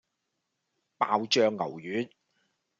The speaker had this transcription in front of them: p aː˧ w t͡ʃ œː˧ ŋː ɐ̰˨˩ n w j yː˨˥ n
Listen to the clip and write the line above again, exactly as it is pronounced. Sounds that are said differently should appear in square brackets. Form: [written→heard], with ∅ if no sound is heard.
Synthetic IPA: p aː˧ w t͡ʃ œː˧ ŋː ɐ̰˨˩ [n→∅] w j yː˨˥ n